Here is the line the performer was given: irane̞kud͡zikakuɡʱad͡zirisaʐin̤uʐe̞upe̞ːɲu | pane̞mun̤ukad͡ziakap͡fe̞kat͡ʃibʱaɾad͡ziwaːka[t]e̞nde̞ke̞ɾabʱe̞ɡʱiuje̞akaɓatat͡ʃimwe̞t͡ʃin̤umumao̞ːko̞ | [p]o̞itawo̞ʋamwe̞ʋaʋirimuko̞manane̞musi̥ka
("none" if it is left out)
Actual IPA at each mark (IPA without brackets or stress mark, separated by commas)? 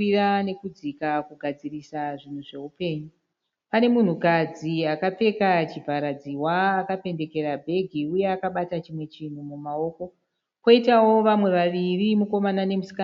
p, k